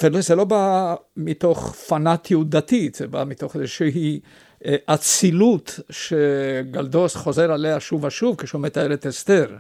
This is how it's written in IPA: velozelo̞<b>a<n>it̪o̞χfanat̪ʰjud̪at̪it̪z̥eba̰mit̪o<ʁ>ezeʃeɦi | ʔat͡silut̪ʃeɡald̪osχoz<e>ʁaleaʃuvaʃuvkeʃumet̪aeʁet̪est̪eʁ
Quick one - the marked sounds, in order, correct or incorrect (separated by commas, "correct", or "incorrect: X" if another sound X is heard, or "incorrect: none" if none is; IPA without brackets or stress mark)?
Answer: correct, incorrect: m, incorrect: χ, correct